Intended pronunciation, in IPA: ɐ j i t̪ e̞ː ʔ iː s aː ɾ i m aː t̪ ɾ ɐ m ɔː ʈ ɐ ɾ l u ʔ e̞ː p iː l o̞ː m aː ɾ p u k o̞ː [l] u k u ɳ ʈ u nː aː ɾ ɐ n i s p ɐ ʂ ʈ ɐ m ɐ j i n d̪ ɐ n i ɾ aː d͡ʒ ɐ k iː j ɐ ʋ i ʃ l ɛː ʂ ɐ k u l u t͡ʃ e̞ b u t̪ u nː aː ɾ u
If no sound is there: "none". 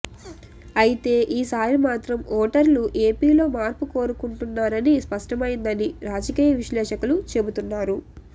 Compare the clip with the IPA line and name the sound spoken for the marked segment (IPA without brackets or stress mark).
ɾ